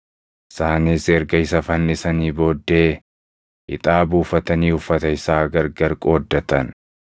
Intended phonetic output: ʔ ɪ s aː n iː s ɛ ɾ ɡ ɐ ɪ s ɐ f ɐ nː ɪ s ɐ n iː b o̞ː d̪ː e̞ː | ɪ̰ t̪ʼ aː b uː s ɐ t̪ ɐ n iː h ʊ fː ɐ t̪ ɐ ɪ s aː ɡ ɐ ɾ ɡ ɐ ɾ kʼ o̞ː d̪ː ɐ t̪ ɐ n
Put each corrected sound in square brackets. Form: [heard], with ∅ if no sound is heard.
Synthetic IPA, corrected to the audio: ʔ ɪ s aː n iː s ɛ ɾ ɡ ɐ ɪ s ɐ f ɐ nː ɪ s ɐ n iː b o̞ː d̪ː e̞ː | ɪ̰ t̪ʼ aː b uː [f] ɐ t̪ ɐ n iː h ʊ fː ɐ t̪ ɐ ɪ s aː ɡ ɐ ɾ ɡ ɐ ɾ kʼ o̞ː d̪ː ɐ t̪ ɐ n